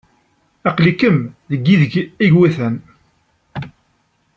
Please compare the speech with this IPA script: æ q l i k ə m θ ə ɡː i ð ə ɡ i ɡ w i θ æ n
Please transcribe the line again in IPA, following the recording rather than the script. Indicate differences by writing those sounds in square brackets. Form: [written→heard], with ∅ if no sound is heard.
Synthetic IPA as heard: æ q l i k ə m [θ→ð] ə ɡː i ð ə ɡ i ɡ w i θ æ n